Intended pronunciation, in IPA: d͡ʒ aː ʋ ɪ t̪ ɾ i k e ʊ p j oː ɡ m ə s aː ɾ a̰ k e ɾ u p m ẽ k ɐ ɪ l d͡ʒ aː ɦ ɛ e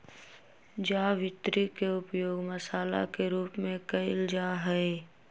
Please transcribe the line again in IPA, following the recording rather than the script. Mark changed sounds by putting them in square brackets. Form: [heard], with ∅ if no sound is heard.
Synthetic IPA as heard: d͡ʒ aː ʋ ɪ t̪ ɾ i k e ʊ p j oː ɡ m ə s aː [l] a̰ k e ɾ [uː] p m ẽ k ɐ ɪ l d͡ʒ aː ɦ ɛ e